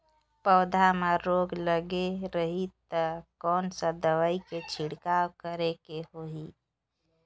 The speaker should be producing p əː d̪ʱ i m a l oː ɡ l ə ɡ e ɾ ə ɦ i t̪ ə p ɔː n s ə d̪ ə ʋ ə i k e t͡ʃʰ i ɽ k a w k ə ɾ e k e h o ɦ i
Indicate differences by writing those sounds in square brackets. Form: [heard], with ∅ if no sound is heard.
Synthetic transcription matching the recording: p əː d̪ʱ [a] m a [ɾ] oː ɡ l ə ɡ e ɾ ə ɦ i t̪ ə [k] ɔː n s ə d̪ ə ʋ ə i k e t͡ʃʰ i ɽ k a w k ə ɾ e k e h o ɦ i